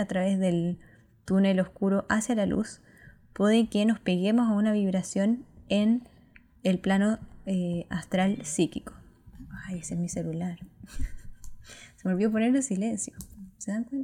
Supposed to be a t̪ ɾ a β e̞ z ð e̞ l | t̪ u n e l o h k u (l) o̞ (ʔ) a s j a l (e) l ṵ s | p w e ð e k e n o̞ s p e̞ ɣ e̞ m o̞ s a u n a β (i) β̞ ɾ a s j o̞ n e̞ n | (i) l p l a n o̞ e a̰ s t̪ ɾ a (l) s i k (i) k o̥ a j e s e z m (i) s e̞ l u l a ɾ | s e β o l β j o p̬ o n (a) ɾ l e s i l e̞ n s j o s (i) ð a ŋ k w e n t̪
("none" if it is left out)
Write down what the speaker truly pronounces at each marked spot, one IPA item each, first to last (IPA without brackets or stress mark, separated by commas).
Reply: ɾ, ʔ, a, i, e, l, i, i, e, e